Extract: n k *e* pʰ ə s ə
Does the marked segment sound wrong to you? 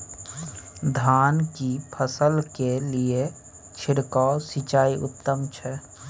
yes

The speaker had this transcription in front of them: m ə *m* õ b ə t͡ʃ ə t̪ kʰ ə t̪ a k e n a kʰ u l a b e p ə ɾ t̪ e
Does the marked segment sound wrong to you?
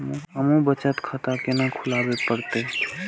no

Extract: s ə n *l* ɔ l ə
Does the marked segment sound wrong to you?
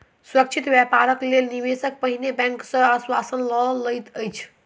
no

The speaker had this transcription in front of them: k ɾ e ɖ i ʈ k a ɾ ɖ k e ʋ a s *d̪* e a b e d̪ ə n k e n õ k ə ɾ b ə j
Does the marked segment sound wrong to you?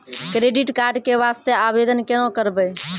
yes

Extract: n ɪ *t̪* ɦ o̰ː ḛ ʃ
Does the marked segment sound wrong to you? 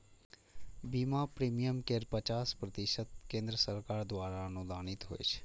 no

